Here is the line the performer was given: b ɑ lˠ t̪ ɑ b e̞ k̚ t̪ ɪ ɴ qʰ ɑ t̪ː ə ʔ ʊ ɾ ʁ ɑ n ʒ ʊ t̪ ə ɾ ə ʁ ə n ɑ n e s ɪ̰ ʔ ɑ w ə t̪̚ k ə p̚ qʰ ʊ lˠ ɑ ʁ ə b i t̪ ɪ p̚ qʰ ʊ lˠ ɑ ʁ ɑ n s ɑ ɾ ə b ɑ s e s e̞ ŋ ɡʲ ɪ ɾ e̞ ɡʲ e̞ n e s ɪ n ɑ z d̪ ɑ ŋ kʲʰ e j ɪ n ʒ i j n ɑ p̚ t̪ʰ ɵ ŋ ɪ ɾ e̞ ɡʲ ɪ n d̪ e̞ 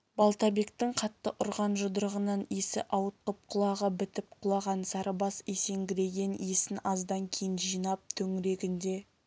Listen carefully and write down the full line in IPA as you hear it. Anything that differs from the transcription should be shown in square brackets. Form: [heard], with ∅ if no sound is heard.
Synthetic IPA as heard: b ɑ lˠ t̪ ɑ b e̞ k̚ t̪ ɪ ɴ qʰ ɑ t̪ː ə ʔ ʊ ɾ ʁ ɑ n ʒ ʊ [d̪] ə ɾ ə ʁ ə n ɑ n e s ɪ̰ ʔ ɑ w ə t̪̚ [q] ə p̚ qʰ ʊ lˠ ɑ ʁ ə b [ɪ] t̪ ɪ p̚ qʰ ʊ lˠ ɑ ʁ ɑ n s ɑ ɾ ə b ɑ s e s e̞ ŋ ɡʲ ɪ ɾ e̞ ɡʲ e̞ n e s ɪ n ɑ z d̪ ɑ ŋ kʲʰ e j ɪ n ʒ i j n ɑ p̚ t̪ʰ ɵ ŋ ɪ ɾ e̞ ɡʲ ɪ n d̪ e̞